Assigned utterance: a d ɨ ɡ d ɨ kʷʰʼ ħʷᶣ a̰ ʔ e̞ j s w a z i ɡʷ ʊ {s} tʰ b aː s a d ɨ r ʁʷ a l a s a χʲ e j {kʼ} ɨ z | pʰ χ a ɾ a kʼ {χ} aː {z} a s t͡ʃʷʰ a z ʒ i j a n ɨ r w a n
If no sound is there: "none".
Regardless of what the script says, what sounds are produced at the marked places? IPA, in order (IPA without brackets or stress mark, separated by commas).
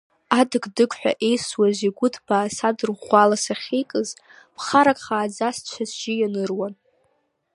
none, kʼ, χ, d͡z